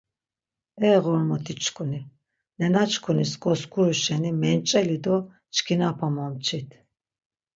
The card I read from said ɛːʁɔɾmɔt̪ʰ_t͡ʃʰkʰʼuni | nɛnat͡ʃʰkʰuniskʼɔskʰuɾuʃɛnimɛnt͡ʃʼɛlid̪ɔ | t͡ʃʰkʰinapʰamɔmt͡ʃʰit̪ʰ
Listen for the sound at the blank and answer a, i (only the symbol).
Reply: i